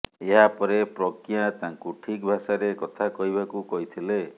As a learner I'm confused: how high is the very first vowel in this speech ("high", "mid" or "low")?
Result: mid